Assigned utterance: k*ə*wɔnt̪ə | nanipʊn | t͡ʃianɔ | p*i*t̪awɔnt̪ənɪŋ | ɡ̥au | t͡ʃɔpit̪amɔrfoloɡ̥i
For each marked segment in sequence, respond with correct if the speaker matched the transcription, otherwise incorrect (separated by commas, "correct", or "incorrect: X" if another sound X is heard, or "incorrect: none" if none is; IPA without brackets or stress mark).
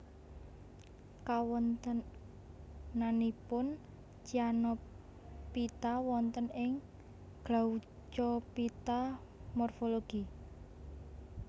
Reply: incorrect: a, correct